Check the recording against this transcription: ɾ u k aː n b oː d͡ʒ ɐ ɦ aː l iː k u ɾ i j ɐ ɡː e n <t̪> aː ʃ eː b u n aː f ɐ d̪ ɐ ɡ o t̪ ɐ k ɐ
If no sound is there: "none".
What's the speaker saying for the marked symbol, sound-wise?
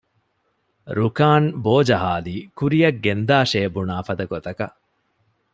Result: d̪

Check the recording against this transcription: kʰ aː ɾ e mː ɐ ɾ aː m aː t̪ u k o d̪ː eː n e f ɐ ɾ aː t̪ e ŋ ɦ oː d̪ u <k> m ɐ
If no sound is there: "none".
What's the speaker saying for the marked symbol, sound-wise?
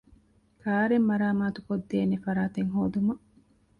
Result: none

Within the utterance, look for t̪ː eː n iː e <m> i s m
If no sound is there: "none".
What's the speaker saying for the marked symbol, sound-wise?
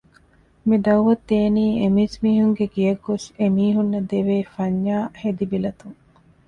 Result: m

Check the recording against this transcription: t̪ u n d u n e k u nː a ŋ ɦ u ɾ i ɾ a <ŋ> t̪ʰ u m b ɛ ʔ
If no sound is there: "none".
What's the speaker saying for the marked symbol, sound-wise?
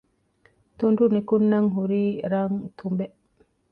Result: ŋ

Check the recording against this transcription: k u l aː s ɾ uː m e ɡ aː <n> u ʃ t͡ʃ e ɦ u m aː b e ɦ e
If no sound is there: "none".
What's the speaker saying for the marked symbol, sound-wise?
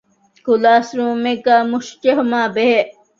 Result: m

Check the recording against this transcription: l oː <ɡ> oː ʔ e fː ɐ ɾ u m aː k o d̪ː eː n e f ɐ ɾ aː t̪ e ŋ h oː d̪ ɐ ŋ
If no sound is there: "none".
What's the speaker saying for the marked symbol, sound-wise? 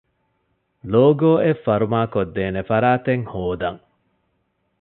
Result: ɡ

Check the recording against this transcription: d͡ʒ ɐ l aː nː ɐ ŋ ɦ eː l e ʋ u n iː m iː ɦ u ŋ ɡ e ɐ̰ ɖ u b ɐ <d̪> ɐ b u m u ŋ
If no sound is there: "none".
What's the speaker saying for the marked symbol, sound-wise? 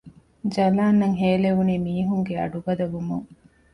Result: d̪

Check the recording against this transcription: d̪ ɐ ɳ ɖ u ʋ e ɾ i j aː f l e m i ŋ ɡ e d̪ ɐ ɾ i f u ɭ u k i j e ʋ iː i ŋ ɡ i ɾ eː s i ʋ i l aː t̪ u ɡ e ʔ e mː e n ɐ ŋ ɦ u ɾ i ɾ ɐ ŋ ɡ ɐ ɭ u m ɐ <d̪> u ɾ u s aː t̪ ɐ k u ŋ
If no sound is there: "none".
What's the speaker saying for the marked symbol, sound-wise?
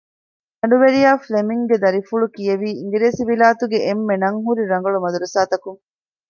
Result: d̪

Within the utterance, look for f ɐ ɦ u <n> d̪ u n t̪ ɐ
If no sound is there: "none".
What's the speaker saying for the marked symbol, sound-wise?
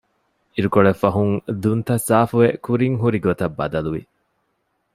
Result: ŋ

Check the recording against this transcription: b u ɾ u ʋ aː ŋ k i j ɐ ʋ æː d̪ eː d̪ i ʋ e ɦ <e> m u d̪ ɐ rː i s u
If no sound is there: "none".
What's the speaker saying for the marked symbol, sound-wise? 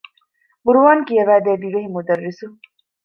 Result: i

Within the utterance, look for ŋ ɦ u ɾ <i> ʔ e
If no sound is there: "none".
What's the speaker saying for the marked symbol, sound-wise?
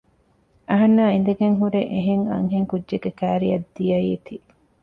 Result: e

